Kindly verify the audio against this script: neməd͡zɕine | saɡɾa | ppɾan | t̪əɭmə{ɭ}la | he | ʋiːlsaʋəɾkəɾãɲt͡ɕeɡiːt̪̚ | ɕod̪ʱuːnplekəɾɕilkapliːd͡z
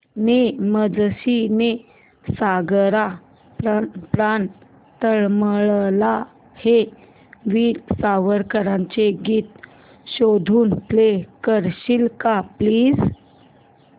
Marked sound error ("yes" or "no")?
no